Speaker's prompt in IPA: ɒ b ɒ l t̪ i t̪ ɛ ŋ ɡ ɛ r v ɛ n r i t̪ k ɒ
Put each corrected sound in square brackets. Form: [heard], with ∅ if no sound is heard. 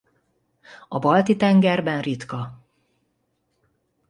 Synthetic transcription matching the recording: ɒ b ɒ l t̪ i t̪ ɛ ŋ ɡ ɛ r [b] ɛ n r i t̪ k ɒ